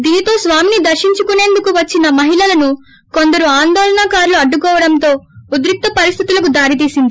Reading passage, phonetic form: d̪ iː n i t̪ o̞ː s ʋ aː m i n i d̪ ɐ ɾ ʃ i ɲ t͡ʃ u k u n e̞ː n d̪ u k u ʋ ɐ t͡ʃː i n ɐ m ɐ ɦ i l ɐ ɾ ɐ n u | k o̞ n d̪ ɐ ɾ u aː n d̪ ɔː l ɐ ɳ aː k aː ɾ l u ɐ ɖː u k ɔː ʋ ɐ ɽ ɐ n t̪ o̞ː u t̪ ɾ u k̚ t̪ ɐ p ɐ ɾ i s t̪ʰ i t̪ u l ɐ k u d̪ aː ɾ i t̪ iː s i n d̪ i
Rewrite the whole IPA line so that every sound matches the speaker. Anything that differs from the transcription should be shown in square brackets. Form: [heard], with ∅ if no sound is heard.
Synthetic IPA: d̪ iː n i t̪ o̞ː s ʋ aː m i n i d̪ ɐ ɾ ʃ i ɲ t͡ʃ u k u n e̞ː n d̪ u k u ʋ ɐ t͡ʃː i n ɐ m ɐ ɦ i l ɐ [l] ɐ n u | k o̞ n d̪ ɐ ɾ u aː n d̪ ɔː l ɐ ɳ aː k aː ɾ l u ɐ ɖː u k ɔː ʋ ɐ ɽ ɐ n t̪ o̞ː u [d̪] ɾ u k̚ t̪ ɐ p ɐ ɾ i s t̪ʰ i t̪ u l ɐ k u d̪ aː ɾ i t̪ iː s i n d̪ i